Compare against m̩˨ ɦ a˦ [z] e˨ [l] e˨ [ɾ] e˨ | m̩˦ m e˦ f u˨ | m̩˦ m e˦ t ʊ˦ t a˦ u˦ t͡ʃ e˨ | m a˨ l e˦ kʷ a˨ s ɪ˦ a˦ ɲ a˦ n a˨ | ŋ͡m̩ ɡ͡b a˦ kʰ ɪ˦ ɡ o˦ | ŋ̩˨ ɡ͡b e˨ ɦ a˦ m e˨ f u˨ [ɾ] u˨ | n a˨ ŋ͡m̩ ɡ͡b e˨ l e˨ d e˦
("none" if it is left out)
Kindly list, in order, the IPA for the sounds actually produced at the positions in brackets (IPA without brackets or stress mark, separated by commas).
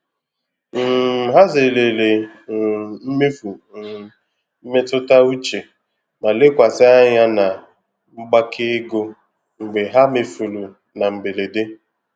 z, l, l, l